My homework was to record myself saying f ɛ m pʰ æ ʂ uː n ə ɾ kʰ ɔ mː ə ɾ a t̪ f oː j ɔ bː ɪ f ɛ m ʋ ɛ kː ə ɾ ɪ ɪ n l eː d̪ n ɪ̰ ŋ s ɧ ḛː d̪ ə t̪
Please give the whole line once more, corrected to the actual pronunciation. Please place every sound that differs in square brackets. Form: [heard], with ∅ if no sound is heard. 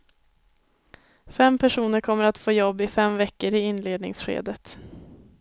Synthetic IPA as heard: f ɛ m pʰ æ ʂ uː n ə ɾ kʰ ɔ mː ə ɾ a t̪ f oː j ɔ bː ɪ f ɛ m [v] ɛ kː ə ɾ ɪ ɪ n l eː d̪ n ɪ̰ ŋ s ɧ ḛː d̪ ə t̪